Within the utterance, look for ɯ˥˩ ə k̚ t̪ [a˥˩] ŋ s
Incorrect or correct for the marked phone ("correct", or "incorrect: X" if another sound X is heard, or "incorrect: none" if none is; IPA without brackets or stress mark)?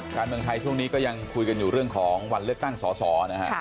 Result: correct